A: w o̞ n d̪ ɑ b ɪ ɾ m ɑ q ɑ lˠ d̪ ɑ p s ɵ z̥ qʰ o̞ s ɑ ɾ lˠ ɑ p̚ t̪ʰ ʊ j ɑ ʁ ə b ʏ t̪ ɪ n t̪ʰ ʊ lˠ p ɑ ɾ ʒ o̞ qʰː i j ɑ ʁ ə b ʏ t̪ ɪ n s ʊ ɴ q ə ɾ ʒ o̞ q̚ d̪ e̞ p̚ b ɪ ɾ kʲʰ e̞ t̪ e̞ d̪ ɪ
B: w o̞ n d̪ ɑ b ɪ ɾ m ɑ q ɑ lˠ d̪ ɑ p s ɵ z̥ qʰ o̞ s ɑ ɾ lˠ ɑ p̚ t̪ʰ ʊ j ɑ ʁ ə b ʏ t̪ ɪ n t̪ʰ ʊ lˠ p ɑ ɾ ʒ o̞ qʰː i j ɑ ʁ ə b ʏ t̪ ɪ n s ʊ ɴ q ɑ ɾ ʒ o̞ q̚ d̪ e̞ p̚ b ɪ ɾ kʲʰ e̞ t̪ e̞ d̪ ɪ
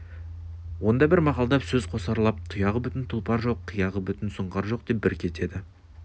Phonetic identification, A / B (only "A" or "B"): B